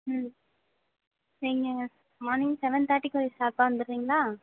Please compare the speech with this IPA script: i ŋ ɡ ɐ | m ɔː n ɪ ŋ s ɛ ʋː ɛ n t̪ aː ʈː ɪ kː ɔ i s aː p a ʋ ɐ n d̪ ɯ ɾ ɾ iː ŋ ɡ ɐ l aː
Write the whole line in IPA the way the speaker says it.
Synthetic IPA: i ŋ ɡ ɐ | m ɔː n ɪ ŋ s ɛ ʋ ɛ n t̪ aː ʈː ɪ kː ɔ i s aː p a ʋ ɐ n d̪ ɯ ɾ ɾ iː ŋ ɡ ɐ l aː

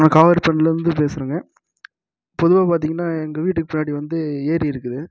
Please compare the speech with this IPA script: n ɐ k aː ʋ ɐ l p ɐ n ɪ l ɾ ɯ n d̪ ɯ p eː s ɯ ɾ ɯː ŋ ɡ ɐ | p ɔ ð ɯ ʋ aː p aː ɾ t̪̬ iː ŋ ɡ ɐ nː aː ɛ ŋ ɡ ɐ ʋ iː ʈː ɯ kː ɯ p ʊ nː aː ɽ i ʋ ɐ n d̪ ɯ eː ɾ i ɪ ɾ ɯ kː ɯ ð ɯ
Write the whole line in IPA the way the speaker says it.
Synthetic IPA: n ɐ k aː ʋ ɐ ɾ p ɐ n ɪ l ɾ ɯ n d̪ ɯ p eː s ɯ ɾ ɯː ŋ ɡ ɐ | p ɔ ð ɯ ʋ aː p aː ɾ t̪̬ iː ŋ ɡ ɐ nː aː ɛ ŋ ɡ ɐ ʋ iː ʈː ɯ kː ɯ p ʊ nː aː ɽ i ʋ ɐ n d̪ ɯ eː ɾ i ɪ ɾ ɯ kː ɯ ð ɯ

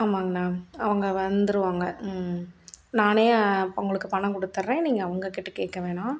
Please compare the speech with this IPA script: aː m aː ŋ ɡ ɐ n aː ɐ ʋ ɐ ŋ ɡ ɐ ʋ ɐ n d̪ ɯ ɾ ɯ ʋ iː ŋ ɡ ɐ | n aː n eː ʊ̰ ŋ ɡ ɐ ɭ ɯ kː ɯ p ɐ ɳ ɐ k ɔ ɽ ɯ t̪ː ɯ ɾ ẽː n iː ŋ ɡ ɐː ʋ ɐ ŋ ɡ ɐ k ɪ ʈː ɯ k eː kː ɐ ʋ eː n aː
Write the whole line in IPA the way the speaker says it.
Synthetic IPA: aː m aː ŋ ɡ ɐ n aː ɐ ʋ ɐ ŋ ɡ ɐ ʋ ɐ n d̪ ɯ ɾ ɯ ʋ aː ŋ ɡ ɐ | n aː n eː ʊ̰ ŋ ɡ ɐ ɭ ɯ kː ɯ p ɐ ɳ ɐ k ɔ ɽ ɯ t̪ː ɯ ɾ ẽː n iː ŋ ɡ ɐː ʋ ɐ ŋ ɡ ɐ k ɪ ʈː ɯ k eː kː ɐ ʋ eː n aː

